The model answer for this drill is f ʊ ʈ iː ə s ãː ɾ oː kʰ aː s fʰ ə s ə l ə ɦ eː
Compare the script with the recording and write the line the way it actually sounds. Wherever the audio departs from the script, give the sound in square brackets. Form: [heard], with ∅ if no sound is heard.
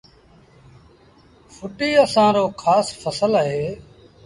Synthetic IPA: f ʊ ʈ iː ə s ãː ɾ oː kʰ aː s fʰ ə s ə l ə ɦ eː